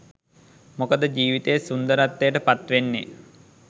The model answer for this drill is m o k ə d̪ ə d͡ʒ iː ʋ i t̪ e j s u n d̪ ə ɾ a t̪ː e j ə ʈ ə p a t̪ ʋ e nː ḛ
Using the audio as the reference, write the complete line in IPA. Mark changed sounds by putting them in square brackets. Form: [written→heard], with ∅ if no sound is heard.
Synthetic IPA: m o k ə d̪ ə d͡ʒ iː ʋ i t̪ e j s u n d̪ ə ɾ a t̪ː e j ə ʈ ə p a t̪ ʋ e nː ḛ